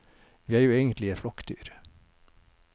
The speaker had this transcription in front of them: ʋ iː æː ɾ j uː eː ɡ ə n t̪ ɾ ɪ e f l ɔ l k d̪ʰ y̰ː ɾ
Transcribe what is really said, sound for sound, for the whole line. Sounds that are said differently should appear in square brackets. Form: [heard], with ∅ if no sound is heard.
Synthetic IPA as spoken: ʋ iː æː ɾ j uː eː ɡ ə n t̪ [l] ɪ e f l ɔ [∅] k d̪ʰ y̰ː ɾ